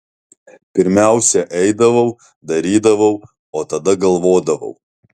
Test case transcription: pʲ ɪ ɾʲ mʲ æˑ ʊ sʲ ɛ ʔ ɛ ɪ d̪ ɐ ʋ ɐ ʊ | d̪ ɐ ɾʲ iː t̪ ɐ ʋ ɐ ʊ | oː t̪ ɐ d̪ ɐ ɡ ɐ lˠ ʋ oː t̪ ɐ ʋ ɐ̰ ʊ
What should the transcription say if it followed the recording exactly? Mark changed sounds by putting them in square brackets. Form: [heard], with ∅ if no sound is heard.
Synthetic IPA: pʲ ɪ ɾʲ mʲ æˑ ʊ sʲ ɛ ʔ ɛ ɪ d̪ ɐ ʋ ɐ ʊ | d̪ ɐ ɾʲ iː [d̪] ɐ ʋ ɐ ʊ | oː t̪ ɐ d̪ ɐ ɡ ɐ lˠ ʋ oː [d̪] ɐ ʋ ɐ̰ ʊ